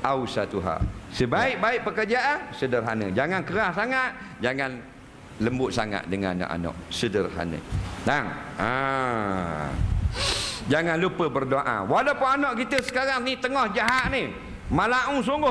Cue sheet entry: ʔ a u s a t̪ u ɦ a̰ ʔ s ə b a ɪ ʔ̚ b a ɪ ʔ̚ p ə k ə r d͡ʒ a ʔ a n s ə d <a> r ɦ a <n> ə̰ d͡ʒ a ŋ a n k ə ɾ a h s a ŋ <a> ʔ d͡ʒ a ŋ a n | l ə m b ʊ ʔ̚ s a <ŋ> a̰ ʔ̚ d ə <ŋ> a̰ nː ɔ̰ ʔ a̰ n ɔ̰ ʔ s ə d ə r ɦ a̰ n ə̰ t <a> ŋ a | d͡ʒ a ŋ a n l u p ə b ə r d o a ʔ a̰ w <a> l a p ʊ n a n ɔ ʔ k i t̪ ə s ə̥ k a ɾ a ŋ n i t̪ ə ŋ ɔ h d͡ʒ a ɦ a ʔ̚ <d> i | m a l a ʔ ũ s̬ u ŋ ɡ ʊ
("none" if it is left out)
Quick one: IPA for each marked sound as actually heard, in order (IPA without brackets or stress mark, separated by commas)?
ə, n, a, ŋ, ŋ, a, a, n